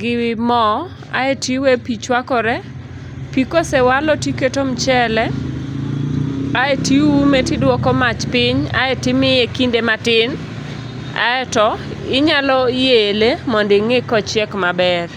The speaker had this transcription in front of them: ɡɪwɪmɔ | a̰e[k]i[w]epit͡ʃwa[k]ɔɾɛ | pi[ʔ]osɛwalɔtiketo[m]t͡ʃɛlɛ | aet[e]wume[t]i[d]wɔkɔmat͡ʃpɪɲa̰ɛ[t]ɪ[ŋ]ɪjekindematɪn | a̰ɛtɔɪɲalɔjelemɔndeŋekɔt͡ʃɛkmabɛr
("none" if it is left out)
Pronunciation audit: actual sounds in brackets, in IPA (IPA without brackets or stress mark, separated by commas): t, w, k, k, m, i, t, d, t, m